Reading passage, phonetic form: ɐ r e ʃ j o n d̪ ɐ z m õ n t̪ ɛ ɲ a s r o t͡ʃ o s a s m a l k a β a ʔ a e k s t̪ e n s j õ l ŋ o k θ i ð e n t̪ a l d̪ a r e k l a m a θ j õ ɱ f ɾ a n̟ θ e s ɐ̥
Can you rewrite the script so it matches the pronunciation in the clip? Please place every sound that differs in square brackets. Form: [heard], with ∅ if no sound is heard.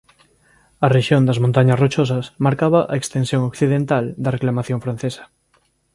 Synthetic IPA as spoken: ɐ r e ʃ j o n d̪ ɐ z m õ n t̪ [a] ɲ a s r o t͡ʃ o s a s m a [ɾ] k a β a ʔ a e k s t̪ e n s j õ [∅] ŋ o k θ i ð e n t̪ a l d̪ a r e k l a m a θ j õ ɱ f ɾ a n̟ θ e s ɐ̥